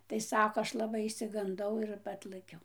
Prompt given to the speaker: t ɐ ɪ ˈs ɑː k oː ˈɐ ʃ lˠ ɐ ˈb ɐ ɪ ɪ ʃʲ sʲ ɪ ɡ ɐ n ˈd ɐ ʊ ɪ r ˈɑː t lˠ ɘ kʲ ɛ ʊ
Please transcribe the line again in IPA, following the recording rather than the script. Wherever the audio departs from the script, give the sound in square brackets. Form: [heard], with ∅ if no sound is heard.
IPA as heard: t ɐ ɪ ˈs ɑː k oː ˈɐ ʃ lˠ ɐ ˈb ɐ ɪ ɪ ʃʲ sʲ ɪ ɡ ɐ n ˈd ɐ ʊ ɪ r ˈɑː t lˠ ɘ kʲ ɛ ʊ